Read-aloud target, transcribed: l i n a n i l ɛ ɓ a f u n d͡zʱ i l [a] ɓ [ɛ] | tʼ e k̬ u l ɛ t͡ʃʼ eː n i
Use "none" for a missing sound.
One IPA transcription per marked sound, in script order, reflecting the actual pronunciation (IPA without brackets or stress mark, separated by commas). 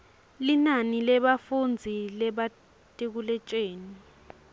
ɛ, a